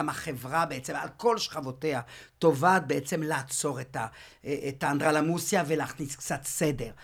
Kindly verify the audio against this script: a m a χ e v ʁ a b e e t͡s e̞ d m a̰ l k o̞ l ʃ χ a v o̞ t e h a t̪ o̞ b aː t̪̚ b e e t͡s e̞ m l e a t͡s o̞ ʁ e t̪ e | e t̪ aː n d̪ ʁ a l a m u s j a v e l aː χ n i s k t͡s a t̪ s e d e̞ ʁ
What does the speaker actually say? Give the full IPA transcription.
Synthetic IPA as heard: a m a χ e v ʁ a b e e t͡s e̞ m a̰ l k o̞ l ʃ χ a v o̞ t e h a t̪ o̞ v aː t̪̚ b e e t͡s e̞ m l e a t͡s o̞ ʁ e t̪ a | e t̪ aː n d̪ ʁ a l a m u s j a v e l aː χ n i s k t͡s a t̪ s e d e̞ ʁ